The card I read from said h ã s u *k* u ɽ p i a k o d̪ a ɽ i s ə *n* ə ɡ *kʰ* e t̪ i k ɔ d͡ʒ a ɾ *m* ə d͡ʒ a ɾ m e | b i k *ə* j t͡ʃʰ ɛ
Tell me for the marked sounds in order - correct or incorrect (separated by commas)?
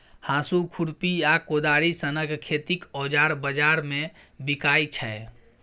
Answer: incorrect, correct, correct, incorrect, incorrect